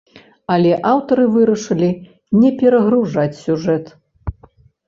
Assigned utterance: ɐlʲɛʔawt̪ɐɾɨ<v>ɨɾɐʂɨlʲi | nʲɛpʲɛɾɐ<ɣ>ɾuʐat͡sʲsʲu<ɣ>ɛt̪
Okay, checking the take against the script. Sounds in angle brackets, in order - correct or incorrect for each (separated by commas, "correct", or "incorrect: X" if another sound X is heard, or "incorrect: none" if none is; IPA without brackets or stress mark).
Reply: correct, correct, incorrect: ʐ